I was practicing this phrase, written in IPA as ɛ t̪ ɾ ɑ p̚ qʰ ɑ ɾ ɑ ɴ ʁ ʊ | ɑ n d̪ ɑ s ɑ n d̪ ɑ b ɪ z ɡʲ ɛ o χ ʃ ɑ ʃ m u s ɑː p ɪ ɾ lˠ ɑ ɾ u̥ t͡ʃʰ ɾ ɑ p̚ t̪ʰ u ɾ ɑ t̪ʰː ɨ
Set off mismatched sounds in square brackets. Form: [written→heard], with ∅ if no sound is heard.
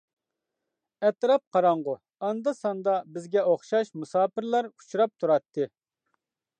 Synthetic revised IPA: ɛ t̪ ɾ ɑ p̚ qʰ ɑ ɾ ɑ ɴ ʁ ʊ | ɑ n d̪ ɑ s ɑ n d̪ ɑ b ɪ z ɡʲ ɛ o χ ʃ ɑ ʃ m u s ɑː p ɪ ɾ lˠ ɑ ɾ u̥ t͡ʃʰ ɾ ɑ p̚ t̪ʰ u ɾ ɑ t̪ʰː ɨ